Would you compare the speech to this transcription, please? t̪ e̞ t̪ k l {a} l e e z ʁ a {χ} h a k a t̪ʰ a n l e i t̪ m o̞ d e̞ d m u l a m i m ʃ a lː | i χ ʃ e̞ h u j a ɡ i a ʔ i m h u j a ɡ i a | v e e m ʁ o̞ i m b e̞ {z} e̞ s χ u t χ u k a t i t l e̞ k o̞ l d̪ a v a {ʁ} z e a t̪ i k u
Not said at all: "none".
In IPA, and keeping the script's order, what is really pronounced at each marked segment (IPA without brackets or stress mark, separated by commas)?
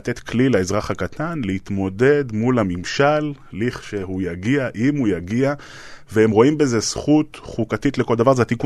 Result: i, χ, z, ʁ